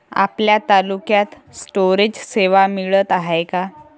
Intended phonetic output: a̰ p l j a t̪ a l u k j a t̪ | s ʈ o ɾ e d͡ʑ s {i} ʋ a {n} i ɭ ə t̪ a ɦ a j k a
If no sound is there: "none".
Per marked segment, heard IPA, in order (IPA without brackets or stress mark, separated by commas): e, m